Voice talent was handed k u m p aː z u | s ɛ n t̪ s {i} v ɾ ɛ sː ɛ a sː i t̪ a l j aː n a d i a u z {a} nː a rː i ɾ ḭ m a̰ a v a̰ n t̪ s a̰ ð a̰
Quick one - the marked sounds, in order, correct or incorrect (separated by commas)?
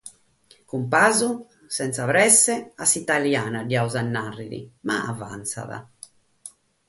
incorrect, correct